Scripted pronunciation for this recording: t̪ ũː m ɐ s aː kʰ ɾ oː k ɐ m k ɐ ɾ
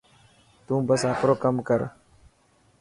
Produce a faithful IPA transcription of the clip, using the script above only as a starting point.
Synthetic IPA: t̪ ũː b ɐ s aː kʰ ɾ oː k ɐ m k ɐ ɾ